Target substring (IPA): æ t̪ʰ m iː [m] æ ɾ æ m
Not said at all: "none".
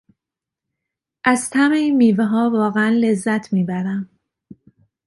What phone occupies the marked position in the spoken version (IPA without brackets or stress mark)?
b